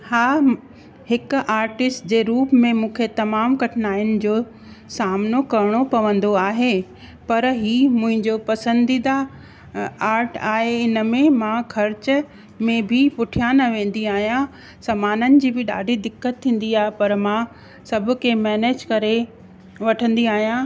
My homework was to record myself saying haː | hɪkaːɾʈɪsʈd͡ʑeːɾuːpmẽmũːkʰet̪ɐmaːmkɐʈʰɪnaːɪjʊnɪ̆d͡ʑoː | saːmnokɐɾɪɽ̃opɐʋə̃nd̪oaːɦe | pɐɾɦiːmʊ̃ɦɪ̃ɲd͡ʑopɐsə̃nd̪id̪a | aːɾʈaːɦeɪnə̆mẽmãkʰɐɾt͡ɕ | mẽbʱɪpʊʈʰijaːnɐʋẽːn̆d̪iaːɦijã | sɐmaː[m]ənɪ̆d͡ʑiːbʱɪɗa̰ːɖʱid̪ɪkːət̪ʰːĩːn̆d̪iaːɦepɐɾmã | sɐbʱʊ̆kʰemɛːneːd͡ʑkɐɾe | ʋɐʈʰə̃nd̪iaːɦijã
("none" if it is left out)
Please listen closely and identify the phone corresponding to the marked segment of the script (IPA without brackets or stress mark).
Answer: n